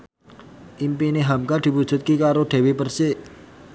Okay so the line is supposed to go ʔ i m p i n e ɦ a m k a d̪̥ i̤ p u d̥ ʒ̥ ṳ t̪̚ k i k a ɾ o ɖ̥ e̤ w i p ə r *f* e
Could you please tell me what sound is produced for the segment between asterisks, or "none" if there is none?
s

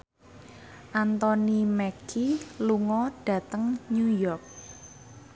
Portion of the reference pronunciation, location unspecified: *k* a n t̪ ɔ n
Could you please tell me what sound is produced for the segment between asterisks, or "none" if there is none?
ʔ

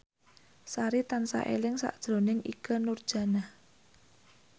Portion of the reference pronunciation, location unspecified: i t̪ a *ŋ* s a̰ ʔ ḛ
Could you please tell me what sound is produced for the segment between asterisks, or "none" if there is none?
n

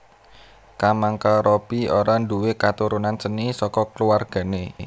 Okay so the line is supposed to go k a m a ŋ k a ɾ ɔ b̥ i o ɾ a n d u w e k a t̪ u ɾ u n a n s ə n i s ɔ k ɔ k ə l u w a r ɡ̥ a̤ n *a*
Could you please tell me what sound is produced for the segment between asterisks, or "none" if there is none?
e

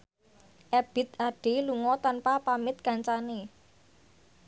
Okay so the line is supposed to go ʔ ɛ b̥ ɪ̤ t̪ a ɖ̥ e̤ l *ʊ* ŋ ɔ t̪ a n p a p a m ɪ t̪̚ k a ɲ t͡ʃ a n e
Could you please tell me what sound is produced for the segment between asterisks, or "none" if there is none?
u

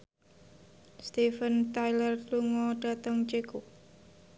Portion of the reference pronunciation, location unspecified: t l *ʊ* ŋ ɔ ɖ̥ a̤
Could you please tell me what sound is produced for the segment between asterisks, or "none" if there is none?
u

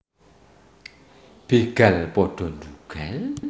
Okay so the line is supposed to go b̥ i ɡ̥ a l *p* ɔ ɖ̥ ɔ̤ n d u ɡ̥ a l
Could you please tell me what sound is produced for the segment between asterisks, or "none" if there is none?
p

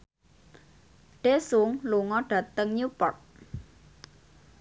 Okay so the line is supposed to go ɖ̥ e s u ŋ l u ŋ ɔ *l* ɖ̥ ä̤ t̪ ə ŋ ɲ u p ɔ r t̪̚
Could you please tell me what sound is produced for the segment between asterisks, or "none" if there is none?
none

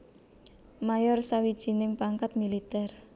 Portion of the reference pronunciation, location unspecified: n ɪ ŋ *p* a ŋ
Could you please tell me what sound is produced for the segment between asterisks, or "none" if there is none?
p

